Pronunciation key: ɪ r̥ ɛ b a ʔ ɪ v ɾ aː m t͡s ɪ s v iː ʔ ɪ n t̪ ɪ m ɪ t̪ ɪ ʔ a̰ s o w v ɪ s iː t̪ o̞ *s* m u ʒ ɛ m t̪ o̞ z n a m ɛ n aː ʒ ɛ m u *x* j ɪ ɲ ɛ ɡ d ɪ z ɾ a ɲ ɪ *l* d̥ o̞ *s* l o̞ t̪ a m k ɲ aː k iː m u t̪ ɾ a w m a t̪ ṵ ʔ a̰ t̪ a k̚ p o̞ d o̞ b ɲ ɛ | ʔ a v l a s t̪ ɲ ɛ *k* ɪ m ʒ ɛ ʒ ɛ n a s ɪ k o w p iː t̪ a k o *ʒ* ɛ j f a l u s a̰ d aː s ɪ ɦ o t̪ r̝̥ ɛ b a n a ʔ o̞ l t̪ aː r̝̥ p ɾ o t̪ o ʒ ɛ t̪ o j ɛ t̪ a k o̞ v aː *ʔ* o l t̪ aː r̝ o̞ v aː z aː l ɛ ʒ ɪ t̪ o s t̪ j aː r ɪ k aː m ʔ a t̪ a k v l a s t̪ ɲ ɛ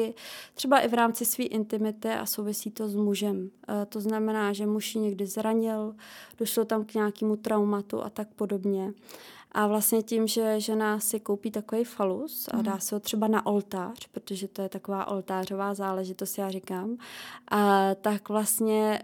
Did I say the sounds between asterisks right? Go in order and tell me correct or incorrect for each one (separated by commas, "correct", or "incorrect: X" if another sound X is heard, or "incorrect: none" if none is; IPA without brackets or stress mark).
incorrect: z, incorrect: ʃ, correct, incorrect: ʃ, incorrect: c, incorrect: v, correct